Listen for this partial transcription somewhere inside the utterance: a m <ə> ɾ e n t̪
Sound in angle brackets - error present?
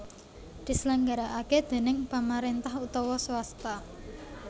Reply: yes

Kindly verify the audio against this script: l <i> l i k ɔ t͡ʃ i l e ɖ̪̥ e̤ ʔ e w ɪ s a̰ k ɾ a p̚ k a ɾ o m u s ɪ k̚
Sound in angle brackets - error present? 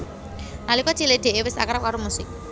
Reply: yes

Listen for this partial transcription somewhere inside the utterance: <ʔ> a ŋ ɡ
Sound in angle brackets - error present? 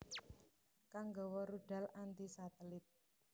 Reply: yes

